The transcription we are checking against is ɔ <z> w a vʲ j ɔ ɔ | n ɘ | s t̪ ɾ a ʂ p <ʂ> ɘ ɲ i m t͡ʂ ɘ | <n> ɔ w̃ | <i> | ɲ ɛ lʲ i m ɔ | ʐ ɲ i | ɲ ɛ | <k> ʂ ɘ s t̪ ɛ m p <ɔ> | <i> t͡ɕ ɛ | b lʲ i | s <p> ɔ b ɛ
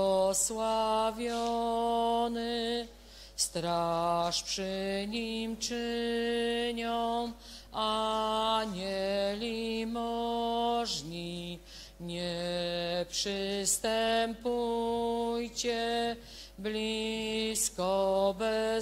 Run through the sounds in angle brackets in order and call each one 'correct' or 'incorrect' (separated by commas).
incorrect, correct, incorrect, incorrect, incorrect, incorrect, incorrect, incorrect